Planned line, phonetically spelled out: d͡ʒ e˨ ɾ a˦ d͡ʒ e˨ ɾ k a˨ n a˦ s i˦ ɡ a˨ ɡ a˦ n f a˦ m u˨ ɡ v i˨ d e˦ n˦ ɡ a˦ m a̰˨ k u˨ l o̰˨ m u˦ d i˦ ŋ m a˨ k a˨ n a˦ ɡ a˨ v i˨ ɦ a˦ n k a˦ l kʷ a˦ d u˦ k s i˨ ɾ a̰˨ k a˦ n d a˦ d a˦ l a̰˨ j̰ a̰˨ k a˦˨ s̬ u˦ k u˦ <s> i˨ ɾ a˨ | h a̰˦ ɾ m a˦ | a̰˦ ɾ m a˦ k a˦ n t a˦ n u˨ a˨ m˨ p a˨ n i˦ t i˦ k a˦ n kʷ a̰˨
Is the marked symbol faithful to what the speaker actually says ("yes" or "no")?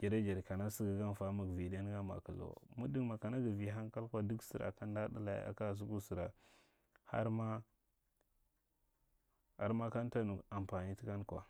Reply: yes